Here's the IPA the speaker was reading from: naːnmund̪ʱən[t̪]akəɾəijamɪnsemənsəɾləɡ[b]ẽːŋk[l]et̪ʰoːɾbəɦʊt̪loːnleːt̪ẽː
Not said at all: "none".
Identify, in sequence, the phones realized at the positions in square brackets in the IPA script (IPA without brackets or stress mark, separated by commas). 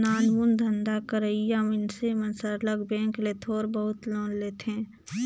d̪, b, l